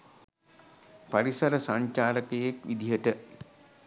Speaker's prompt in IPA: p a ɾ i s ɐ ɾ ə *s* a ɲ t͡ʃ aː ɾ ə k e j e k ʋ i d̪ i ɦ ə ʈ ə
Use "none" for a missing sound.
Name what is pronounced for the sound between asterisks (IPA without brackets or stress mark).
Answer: s